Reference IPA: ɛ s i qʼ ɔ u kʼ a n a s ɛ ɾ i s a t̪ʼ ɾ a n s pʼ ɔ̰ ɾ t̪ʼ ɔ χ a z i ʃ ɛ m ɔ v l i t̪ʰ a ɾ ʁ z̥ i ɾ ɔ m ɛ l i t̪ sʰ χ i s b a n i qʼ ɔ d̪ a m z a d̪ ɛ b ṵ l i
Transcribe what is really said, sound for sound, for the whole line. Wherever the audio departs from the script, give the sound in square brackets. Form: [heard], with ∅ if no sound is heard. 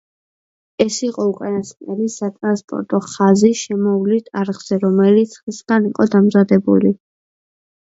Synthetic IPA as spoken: ɛ s i qʼ ɔ u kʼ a n a s ɛ [l] i s a t̪ʼ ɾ a n s pʼ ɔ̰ ɾ t̪ʼ ɔ χ a z i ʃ ɛ m ɔ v l i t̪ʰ a ɾ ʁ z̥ [ɛ] ɾ ɔ m ɛ l i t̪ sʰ χ i s [ɡ] a n i qʼ ɔ d̪ a m z a d̪ ɛ b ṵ l i

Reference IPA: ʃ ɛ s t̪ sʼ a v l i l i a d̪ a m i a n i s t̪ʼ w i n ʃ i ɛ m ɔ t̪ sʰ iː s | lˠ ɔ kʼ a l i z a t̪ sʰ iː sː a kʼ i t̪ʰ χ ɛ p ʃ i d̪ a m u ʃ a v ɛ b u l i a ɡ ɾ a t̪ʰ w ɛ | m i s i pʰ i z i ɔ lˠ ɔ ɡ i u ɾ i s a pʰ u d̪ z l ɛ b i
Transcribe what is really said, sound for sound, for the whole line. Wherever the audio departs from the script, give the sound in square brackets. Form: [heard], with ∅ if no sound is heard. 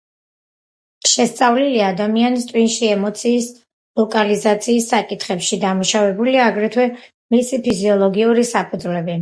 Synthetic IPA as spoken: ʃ ɛ s t̪ sʼ a v l i l i a d̪ a m i a n i s t̪ʼ w i n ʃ i ɛ m ɔ t̪ sʰ iː s | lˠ ɔ kʼ a l i z a t̪ sʰ iː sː a kʼ i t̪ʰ χ ɛ p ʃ i d̪ a m u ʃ a v ɛ b u l i a ɡ ɾ [ɛ] t̪ʰ w ɛ | m i s i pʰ i z i ɔ lˠ ɔ ɡ i u ɾ i s a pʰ u d̪ z l ɛ b i

